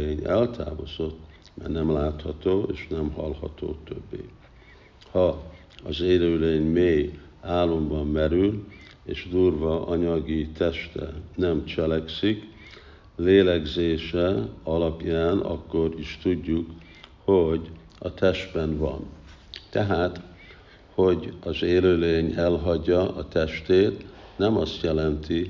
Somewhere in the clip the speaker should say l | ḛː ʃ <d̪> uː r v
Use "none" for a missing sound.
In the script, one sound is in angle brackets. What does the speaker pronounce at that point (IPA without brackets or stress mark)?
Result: d̪